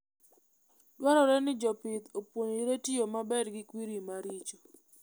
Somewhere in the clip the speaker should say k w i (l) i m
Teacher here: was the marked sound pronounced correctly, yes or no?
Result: no